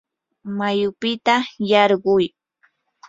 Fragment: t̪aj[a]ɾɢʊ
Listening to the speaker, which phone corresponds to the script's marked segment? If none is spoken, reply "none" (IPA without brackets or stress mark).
ɑ